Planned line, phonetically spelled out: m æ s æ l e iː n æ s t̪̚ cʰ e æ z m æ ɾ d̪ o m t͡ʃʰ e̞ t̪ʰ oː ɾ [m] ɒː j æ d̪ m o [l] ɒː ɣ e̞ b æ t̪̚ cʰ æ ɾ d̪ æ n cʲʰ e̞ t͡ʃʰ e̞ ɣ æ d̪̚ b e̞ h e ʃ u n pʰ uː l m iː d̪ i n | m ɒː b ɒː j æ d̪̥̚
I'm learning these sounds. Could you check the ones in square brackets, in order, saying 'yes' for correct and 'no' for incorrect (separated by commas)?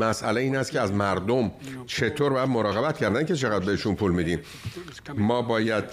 no, no